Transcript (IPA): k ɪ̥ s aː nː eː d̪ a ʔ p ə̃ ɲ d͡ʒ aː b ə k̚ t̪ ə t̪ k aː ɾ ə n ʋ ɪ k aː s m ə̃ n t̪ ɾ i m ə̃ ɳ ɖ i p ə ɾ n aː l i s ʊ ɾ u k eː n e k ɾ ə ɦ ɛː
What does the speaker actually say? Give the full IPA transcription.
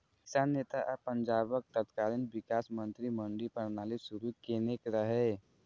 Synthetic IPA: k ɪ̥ s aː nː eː t̪ a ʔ p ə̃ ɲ d͡ʒ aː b ə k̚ t̪ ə t̪ k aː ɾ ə n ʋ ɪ k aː s m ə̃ n t̪ ɾ i m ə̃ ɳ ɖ i p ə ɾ n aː l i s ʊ ɾ u k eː n e k ɾ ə ɦ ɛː